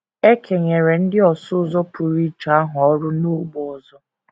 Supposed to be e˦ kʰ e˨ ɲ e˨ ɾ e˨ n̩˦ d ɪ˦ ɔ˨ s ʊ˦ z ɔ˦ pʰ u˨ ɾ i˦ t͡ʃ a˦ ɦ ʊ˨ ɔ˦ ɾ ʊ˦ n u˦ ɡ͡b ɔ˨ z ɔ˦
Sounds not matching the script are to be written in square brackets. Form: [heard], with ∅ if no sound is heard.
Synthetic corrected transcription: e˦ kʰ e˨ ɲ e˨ ɾ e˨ n̩˦ d ɪ˦ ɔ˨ s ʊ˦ z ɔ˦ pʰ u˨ ɾ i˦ t͡ʃ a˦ ɦ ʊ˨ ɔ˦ ɾ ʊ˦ n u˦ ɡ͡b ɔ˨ z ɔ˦